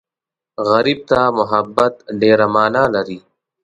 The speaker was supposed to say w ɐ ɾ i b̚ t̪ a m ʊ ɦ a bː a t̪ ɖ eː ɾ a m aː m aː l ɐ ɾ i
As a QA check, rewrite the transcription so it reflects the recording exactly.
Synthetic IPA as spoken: ɣ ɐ ɾ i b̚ t̪ a m ʊ ɦ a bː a t̪ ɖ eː ɾ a m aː n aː l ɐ ɾ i